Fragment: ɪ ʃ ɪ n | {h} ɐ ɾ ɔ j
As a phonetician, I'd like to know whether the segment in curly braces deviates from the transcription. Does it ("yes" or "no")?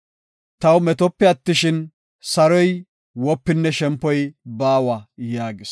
yes